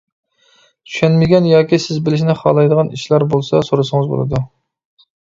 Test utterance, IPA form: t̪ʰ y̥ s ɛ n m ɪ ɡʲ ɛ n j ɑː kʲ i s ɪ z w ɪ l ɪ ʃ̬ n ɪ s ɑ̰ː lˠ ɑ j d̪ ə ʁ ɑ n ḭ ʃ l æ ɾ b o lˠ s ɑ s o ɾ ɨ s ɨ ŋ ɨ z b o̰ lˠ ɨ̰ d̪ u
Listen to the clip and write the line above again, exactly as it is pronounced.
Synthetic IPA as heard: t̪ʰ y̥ ʃ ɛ n m ɪ ɡʲ ɛ n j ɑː kʲ i s ɪ z b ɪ l ɪ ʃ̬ n ɪ χ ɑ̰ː lˠ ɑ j d̪ ə ʁ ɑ n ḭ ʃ l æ ɾ b o lˠ s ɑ s o ɾ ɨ s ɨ ŋ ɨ z b o̰ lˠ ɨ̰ d̪ u